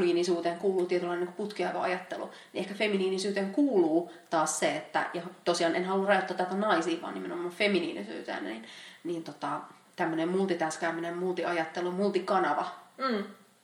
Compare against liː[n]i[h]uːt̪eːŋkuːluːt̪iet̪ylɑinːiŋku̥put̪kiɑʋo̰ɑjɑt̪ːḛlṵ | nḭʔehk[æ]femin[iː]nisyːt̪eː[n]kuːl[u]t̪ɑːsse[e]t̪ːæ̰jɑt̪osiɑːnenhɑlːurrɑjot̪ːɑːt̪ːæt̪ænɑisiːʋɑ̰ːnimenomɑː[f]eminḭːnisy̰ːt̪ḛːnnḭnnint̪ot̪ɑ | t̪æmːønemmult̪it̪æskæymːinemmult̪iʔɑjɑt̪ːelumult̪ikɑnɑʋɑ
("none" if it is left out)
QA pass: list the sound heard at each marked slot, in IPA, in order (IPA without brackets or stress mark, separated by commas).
n, s, æ, iː, ŋ, uː, e, f